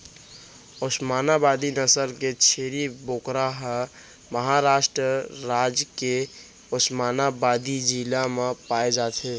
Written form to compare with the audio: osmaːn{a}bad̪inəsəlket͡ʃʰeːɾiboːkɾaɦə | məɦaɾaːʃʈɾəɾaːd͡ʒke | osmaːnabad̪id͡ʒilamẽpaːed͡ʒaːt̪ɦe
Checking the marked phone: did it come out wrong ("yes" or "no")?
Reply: no